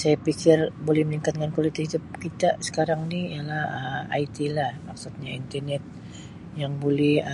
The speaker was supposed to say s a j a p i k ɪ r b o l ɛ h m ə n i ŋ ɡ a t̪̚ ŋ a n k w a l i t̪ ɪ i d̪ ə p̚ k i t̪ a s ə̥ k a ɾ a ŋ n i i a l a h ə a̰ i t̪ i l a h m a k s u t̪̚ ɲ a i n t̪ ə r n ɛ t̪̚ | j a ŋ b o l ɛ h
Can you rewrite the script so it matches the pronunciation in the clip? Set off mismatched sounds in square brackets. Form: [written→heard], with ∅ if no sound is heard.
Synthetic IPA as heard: s a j a p i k ɪ r b o l ɛ h m ə n i ŋ [ɡ→k] a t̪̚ ŋ a n k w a l i t̪ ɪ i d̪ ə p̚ k i t̪ a s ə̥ k a ɾ a ŋ n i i a l a h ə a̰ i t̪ i l a h m a k s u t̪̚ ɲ a i n t̪ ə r n ɛ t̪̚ | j a ŋ b o l ɛ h